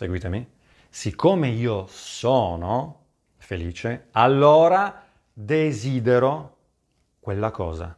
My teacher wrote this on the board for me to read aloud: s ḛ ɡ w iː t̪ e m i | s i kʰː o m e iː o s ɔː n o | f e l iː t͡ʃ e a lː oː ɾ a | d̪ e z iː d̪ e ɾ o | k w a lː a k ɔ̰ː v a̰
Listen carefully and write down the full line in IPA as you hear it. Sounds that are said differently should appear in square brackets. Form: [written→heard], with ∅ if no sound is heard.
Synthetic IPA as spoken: s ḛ ɡ w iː t̪ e m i | s i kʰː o m e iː o s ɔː n o | f e l iː t͡ʃ e a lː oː ɾ a | d̪ e z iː d̪ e ɾ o | k w [a→e] lː a k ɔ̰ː [v→z] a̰